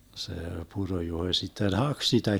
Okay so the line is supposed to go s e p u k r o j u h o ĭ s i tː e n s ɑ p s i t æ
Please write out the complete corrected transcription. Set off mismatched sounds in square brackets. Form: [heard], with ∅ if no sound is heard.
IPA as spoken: s e p u [∅] r o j u h o ĭ s i tː e n [h] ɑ [k] s i t æ

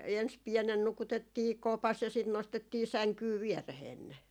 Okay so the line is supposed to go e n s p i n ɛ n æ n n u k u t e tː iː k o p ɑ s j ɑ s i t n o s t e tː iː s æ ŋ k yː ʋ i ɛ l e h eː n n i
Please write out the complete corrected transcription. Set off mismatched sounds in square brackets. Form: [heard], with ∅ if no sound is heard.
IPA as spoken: e n s p i [∅] ɛ n [e] n n u k u t e tː iː k o p ɑ s j ɑ s i t n o s t e tː iː s æ ŋ k yː ʋ i ɛ [r] e h eː n n [e]

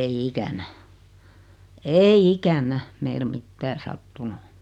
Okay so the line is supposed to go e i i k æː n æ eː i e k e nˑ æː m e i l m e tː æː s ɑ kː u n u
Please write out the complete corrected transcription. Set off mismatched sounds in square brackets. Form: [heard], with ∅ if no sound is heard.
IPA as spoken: e i i k [æ] n æ eː i [i] k [æ] nˑ [æ] m e i l m [i] tː æː s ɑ [tː] u n u

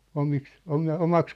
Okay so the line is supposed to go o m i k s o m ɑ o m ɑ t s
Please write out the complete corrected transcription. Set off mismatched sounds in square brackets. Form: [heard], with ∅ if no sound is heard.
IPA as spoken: o m i k s o m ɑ o m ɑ [k] s

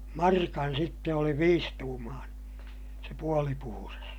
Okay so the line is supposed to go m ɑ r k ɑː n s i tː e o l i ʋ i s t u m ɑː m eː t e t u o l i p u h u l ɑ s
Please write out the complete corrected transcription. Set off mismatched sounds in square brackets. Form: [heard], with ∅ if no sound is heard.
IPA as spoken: m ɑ r k [ɑ] n s i tː e o l i ʋ [iː] s t [uː] m ɑː [n] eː [s] e [p] u o l i p u h u [r] ɑ s

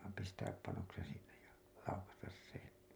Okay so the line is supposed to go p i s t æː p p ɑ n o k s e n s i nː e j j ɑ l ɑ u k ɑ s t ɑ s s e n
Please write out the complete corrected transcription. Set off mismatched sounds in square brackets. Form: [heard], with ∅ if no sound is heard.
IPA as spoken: p i s t æː p p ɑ n o k s e n s i nː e j j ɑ l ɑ u k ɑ s t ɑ s s e n

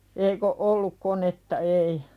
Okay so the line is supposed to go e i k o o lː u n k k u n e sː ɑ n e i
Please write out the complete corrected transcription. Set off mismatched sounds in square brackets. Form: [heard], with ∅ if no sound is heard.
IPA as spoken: e i k o o lː u [∅] k k [o] n e [tː] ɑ [∅] e i

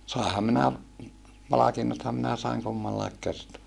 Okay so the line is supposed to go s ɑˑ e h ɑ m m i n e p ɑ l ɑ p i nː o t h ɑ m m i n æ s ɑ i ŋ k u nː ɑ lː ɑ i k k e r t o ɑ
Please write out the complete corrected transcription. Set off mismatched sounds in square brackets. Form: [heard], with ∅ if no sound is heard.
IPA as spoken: s ɑˑ e h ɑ m m i n [æ] p ɑ l ɑ [k] i nː o t h ɑ m m i n æ s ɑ i ŋ k u [mː] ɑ lː ɑ i k k e r t o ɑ

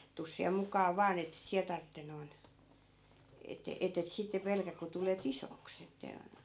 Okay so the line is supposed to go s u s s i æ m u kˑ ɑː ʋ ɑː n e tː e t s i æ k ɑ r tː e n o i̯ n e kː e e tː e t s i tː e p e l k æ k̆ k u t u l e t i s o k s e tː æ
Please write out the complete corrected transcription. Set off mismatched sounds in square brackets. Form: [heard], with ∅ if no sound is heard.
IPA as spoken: [t] u s s i æ m u kˑ ɑː ʋ ɑː n e tː e t s i æ [t] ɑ r tː e n o i̯ n e [tː] e e tː e t s i tː e p e l k æ k̆ k u t u l e t i s o k s e tː æ

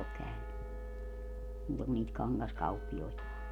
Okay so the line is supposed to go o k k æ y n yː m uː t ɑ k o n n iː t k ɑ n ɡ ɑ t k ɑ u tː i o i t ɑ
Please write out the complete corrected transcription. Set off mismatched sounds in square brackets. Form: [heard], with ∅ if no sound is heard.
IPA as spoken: o k k æ y n [y] m uː t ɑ k [u] n n iː t k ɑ n ɡ ɑ [s] k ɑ u [pː] i o i t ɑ

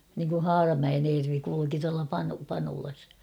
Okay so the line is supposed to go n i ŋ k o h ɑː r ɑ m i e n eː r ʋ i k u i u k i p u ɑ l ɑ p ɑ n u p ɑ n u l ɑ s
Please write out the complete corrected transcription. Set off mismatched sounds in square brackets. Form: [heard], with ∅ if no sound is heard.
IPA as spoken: n i ŋ k [u] h ɑː r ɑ m [æ] e n eː r ʋ i k u i u k i [t] u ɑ l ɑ p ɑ n u p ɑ n u l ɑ s

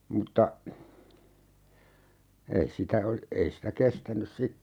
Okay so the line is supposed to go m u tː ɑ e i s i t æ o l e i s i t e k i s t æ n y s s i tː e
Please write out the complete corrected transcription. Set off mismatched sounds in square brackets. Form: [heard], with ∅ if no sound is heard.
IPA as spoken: m u tː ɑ e i s i t æ o l e i s i t [æ] k [e] s t æ n y s s i tː e

